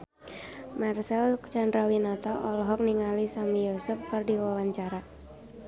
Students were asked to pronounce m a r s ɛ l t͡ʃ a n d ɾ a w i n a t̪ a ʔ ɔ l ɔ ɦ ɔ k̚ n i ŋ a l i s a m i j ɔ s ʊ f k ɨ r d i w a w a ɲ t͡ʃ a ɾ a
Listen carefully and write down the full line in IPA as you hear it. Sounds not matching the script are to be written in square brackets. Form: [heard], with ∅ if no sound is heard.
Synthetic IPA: m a r s ɛ l t͡ʃ a n d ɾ a w i n a t̪ a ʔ ɔ l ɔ ɦ ɔ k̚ n i ŋ a l i s a m i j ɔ s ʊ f k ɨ r d i w a w a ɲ t͡ʃ a ɾ a